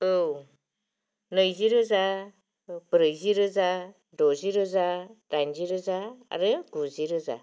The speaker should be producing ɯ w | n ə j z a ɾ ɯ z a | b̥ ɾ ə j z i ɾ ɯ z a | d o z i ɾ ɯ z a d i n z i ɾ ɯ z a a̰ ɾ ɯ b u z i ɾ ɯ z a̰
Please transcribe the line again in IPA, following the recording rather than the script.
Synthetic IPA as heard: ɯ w | n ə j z i ɾ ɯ z a | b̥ ɾ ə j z i ɾ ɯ z a | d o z i ɾ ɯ z a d a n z i ɾ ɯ z a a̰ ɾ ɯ ɡ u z i ɾ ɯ z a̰